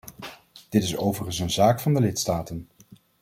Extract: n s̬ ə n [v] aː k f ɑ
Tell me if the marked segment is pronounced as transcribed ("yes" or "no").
no